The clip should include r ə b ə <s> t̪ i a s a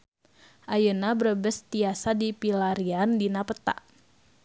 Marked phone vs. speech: correct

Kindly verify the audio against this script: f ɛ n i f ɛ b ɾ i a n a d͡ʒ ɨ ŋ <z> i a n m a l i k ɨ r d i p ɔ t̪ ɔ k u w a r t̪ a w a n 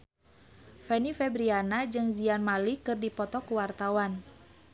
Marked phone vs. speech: correct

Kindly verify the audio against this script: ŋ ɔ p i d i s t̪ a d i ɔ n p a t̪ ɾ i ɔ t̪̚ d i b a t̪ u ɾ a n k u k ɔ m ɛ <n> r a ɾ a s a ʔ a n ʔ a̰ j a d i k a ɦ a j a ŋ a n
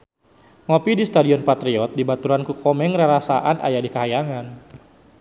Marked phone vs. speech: incorrect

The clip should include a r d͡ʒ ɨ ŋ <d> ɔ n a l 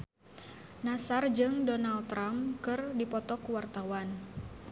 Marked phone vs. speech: correct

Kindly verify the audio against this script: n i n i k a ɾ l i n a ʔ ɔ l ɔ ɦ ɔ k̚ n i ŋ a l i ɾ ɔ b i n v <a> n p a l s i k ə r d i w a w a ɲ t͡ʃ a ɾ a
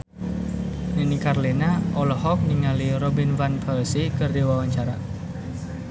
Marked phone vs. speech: correct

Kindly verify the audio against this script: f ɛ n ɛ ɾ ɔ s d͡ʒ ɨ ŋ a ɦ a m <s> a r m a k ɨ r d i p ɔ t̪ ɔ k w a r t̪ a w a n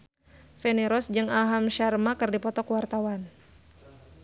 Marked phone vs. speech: incorrect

